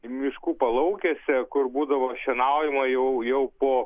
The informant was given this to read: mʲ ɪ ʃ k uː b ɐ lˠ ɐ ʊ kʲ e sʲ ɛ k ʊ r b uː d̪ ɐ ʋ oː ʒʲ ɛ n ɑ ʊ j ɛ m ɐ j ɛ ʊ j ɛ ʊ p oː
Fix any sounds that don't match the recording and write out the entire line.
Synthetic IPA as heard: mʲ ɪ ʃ k uː p ɐ lˠ ɐ ʊ kʲ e sʲ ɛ k ʊ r b uː d̪ ɐ ʋ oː ʃʲ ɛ n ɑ ʊ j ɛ m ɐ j ɛ ʊ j ɛ ʊ p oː